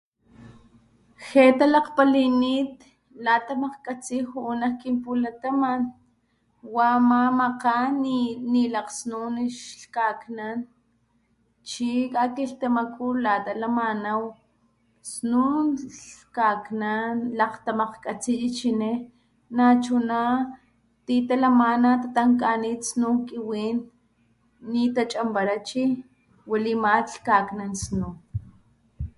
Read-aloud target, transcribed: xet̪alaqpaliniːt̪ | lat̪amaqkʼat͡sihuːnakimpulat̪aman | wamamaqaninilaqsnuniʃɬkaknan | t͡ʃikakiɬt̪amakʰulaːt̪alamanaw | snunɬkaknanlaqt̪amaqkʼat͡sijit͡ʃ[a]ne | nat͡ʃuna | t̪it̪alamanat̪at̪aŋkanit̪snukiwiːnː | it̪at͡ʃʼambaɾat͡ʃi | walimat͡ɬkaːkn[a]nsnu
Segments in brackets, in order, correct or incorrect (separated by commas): incorrect, correct